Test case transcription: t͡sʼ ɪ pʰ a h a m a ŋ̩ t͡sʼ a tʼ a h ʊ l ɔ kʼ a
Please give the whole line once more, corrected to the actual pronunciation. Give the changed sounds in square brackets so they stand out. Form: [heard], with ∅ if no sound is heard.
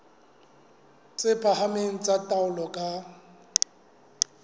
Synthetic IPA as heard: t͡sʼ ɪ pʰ a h a m [e] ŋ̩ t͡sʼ a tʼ a [∅] ʊ l ɔ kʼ a

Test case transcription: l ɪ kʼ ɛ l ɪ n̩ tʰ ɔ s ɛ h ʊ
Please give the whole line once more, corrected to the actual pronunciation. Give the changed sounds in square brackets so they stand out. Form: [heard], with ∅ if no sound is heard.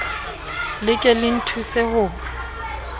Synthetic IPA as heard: l ɪ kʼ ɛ l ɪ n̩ tʰ [u] s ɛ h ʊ

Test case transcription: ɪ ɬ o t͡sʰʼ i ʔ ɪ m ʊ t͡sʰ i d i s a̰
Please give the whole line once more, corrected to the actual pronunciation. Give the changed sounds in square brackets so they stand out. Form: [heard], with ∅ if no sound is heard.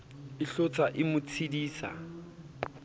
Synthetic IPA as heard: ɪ ɬ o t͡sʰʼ [a] ʔ ɪ m ʊ t͡sʰ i d [iː] s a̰

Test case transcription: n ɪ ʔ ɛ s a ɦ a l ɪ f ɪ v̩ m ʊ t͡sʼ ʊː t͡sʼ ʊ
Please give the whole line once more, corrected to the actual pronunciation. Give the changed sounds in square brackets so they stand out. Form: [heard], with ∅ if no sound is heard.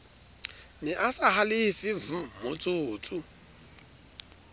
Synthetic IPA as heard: n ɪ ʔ [a] s a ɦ a l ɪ f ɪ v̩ m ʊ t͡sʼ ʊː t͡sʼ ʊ

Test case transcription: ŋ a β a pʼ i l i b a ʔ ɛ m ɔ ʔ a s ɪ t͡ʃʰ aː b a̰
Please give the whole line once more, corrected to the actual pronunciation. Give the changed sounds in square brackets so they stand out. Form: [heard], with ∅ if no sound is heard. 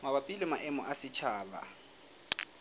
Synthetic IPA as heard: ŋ a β a pʼ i l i [m] a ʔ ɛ m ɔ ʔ a s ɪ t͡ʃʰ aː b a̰

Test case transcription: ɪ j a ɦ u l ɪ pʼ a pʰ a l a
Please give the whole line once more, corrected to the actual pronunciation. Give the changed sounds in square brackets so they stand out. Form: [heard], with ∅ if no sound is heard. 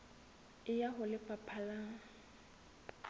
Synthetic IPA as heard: ɪ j a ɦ [ʊ] l ɪ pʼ a pʰ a l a

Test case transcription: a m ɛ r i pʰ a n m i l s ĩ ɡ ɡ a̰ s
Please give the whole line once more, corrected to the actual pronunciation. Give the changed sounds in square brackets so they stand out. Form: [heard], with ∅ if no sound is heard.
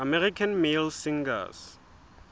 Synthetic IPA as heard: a m ɛ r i [kʰ] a n m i l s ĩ [ŋ] ɡ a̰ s

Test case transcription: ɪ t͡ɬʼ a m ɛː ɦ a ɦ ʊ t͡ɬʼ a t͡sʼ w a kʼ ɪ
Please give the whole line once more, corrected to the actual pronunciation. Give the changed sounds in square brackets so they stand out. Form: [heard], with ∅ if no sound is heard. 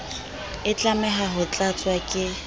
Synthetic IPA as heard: ɪ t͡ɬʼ a m [ɛ] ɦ a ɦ ʊ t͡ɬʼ a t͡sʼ w a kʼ ɪ

